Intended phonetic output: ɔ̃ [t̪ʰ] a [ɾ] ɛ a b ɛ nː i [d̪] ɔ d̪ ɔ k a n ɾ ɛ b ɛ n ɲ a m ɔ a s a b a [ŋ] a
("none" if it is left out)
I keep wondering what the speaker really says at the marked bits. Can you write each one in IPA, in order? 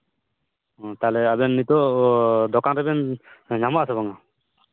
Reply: t̪, l, t̪, ŋ

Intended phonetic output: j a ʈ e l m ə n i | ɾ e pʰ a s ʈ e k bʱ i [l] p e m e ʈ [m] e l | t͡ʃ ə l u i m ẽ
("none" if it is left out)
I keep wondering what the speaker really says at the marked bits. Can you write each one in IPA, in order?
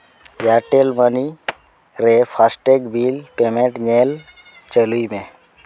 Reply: l, ɲ

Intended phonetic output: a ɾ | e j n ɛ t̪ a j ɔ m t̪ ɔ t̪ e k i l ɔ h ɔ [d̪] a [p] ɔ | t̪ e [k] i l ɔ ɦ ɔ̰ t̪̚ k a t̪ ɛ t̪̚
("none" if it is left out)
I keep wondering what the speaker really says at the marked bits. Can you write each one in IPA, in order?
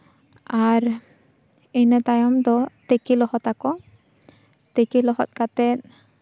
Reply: t̪, k, k

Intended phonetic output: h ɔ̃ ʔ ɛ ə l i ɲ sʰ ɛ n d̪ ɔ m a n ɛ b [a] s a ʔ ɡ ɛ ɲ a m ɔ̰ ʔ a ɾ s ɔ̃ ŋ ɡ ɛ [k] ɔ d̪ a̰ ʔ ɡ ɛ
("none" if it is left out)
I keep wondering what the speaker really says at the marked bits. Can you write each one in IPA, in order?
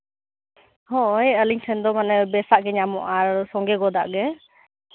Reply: ɛ, ɡ

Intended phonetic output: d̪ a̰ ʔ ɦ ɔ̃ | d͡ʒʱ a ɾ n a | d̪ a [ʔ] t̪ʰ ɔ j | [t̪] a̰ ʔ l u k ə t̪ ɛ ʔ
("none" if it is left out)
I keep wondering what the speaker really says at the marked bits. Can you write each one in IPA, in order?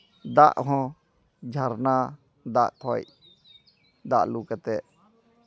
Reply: ʔ, d̪

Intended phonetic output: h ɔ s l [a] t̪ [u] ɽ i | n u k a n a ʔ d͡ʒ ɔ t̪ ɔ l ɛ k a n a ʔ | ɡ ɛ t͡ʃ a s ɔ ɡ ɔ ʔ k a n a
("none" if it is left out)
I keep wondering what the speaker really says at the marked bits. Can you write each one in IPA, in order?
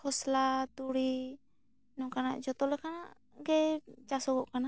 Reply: a, u

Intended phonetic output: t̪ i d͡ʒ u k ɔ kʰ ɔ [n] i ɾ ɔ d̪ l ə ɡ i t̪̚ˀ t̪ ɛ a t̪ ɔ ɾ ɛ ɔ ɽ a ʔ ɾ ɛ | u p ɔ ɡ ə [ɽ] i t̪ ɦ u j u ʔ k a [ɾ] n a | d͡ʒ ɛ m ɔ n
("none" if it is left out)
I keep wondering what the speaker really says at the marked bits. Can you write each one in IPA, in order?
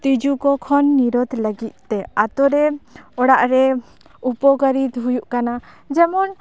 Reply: nː, ɾ, none

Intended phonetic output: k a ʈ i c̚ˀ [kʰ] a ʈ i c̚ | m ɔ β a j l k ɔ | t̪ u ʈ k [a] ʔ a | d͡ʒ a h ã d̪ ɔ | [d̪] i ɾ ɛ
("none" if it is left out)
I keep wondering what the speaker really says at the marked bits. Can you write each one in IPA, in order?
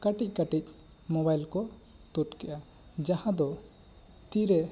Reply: k, ɛ, t̪

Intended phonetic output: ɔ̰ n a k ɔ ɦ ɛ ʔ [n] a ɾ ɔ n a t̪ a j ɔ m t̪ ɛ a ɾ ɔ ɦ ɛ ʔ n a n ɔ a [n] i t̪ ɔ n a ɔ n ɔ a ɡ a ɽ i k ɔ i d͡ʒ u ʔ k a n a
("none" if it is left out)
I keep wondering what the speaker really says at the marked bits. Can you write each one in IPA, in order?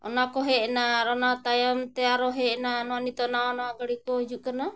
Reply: n, n

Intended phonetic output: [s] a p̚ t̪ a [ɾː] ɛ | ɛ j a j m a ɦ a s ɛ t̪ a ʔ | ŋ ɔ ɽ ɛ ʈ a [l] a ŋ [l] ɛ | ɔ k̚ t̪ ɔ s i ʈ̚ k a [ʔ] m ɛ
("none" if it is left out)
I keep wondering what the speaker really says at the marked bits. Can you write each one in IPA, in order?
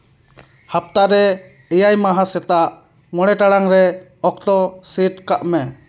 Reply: h, ɾ, ɽ, ɾ, ʔ

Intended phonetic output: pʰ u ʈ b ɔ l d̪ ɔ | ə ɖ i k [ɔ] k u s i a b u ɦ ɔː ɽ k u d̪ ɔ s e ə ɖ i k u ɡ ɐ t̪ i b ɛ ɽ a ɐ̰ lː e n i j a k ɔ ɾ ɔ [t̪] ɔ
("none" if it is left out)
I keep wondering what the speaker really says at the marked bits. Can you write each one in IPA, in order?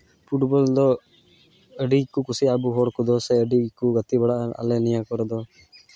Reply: u, d̪

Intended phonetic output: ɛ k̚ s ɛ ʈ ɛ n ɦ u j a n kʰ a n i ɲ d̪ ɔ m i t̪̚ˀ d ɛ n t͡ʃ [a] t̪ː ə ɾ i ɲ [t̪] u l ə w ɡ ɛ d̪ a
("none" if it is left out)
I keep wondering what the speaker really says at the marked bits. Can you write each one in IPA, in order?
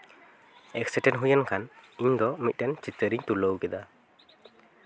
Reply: i, t̪

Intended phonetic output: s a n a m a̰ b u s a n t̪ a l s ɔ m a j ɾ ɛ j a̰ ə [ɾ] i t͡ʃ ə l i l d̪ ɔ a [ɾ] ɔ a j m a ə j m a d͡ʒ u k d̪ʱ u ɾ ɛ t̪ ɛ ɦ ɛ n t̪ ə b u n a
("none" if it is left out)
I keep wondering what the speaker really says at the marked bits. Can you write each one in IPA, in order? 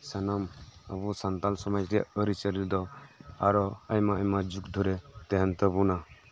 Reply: ɾ, ɾ

